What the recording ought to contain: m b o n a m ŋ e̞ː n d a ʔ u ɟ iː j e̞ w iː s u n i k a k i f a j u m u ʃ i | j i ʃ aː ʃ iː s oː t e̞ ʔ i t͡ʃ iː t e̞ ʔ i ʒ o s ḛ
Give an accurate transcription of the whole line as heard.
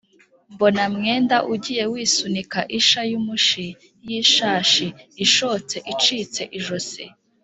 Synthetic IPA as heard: m b o n a m ŋ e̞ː n d a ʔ u ɟ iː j e̞ w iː s u n i k a ʔ i ʃ a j u m u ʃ i | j i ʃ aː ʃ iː ʃ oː t͡s e̞ ʔ i t͡ʃ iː t͡s e̞ ʔ i ʒ o s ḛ